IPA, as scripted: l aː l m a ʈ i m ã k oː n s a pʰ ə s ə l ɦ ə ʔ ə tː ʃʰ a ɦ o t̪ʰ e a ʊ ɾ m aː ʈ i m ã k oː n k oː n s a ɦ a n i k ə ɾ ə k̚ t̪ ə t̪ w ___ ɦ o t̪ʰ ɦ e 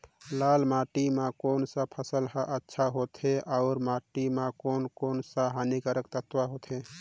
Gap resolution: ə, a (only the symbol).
a